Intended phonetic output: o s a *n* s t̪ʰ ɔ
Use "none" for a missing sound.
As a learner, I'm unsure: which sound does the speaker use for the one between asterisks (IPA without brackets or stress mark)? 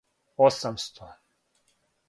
m